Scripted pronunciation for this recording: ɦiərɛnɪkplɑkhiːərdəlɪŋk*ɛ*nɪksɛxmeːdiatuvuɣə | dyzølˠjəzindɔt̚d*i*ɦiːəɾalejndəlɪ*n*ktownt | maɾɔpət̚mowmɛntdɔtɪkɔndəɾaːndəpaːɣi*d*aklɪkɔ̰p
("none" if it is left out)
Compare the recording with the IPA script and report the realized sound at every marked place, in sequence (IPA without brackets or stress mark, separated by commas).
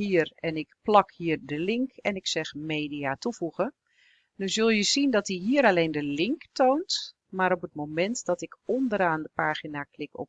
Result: ɛ, i, ŋ, n